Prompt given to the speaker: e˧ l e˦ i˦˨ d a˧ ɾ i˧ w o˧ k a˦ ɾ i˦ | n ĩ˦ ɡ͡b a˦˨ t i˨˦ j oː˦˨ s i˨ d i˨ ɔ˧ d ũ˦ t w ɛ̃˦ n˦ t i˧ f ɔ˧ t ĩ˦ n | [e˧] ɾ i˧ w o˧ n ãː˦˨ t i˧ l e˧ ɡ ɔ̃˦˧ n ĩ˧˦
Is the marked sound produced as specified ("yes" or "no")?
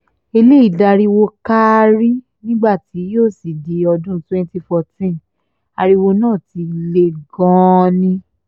no